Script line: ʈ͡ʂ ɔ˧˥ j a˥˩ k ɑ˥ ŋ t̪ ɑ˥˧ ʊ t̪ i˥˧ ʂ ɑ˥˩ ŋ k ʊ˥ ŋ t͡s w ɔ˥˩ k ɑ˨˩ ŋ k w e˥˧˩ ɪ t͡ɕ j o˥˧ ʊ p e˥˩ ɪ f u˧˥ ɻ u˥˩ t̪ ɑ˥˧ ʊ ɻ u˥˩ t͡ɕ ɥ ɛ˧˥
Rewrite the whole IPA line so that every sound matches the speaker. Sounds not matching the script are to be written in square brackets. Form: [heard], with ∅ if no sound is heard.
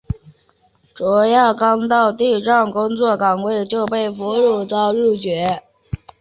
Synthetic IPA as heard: ʈ͡ʂ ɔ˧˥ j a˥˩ k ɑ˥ ŋ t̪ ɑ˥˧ ʊ t̪ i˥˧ [ʈ͡ʂ] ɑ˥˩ ŋ k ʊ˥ ŋ t͡s w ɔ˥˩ k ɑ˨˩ ŋ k w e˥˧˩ ɪ t͡ɕ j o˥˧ ʊ p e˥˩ ɪ f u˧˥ ɻ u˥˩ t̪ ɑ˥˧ ʊ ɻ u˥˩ t͡ɕ ɥ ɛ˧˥